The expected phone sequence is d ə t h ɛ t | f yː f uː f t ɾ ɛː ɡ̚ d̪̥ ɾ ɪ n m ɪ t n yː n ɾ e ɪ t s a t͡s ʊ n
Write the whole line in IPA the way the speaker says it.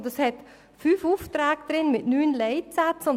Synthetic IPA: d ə s h ɛ t | f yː f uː f t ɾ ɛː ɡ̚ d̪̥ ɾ ɪ n m ɪ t n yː n l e ɪ t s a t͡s ʊ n